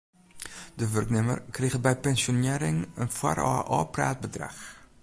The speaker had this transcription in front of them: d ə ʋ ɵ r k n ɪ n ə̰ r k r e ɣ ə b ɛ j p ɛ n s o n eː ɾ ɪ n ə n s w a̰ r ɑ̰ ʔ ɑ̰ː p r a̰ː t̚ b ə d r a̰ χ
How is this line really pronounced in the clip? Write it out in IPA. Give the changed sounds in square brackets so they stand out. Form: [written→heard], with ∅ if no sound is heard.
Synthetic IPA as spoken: d ə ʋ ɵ r k n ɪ [n→m] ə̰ r k r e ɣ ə b ɛ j p ɛ n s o n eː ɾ ɪ [n→ŋ] ə n [s→f] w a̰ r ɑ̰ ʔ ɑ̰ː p r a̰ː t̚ b ə d r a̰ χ